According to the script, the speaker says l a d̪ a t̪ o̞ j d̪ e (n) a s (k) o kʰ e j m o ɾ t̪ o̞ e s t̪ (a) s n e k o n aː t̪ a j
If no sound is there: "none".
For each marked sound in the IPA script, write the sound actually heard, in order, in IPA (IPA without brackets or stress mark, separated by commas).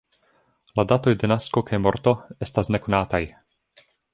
n, k, a